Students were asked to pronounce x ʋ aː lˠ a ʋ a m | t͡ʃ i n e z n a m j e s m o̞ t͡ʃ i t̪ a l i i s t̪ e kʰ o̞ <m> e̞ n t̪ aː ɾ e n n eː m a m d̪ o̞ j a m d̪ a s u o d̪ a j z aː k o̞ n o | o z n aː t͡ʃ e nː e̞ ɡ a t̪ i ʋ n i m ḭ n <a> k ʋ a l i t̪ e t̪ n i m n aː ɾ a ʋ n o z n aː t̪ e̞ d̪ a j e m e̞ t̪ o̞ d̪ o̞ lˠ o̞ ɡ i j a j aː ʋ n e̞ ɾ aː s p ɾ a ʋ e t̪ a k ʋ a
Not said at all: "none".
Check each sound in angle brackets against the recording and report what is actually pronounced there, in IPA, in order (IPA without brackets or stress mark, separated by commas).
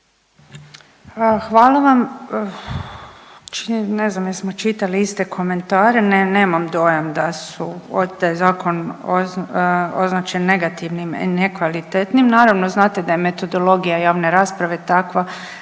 m, e